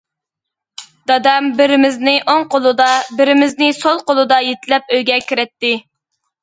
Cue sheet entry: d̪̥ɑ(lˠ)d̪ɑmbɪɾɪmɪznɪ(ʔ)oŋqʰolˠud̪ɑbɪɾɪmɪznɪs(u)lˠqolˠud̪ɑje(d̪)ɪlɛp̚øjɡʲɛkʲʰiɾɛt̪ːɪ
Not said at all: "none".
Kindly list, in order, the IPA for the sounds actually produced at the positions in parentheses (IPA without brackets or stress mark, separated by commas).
none, ʔ, o, t̪